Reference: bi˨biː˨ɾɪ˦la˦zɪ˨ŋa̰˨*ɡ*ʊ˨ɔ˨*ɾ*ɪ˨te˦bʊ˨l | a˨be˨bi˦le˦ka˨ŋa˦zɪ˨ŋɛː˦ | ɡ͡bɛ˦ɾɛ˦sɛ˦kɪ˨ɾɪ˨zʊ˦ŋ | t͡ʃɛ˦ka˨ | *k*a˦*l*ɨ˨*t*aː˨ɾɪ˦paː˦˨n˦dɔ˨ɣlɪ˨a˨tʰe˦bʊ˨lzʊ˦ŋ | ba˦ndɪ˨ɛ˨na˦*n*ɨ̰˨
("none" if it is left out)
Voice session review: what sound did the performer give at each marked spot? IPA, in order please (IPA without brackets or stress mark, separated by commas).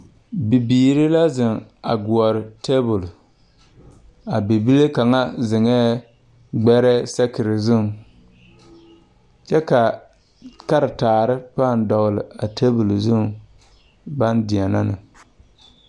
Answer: ɡ, ɾ, k, ɾ, t, n